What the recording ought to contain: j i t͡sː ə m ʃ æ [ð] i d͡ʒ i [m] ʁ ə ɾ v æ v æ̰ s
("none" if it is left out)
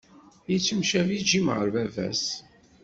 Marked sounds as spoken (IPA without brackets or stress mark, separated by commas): v, m